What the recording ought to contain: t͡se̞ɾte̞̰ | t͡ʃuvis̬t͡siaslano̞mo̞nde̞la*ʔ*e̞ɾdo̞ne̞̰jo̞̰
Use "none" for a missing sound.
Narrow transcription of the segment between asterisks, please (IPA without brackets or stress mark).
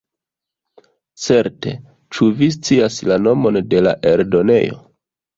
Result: ʔ